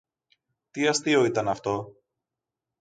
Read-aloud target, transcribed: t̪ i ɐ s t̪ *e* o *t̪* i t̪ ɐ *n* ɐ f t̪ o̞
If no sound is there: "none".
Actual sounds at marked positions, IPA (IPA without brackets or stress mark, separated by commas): i, none, n